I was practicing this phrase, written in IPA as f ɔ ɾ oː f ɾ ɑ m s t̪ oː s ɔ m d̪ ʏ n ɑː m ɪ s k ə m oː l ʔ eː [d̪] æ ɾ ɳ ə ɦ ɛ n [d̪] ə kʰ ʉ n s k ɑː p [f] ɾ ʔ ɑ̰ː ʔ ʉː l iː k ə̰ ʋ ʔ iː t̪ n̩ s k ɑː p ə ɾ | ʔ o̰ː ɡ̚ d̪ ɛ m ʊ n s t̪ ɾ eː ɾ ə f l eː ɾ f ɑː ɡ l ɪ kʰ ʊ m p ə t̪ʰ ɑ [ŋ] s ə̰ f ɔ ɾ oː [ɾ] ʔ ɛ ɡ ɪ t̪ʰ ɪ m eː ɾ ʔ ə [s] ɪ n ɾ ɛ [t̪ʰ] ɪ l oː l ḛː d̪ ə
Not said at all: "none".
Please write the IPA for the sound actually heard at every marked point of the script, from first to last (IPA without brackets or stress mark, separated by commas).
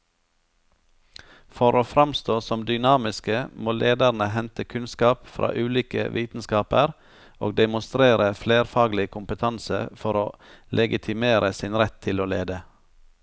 d̪, t̪, f, n, l, s, t̪ʰ